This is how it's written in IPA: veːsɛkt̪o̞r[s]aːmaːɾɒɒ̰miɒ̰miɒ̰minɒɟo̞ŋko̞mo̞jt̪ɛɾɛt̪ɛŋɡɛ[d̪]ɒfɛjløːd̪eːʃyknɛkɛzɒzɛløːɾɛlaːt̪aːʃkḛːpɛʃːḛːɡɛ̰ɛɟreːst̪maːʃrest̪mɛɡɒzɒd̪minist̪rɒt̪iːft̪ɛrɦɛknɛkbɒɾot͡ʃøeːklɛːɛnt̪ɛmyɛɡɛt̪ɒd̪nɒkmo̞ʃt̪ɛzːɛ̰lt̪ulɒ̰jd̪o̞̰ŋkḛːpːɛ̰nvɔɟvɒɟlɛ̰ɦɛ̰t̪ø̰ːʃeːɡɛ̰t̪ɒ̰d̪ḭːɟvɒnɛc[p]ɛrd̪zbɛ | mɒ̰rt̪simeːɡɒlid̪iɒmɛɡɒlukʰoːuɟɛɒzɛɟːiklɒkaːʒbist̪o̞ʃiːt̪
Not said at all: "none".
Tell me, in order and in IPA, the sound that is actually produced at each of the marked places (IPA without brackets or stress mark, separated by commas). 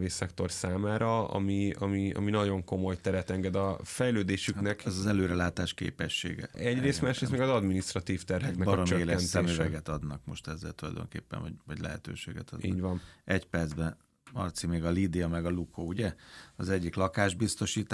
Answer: s, d̪, p